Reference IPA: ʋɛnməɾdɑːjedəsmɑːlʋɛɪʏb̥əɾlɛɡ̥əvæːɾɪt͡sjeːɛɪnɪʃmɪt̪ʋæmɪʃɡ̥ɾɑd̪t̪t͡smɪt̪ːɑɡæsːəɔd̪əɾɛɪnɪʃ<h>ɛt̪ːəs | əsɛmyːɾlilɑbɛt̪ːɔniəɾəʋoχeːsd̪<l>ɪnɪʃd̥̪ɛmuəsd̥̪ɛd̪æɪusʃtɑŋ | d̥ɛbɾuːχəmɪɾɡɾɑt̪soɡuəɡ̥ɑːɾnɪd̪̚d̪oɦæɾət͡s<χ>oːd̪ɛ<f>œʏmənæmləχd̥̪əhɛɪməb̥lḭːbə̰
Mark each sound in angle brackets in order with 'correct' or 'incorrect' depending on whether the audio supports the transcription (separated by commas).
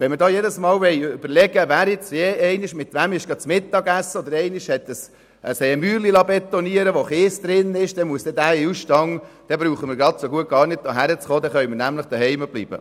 correct, incorrect, correct, incorrect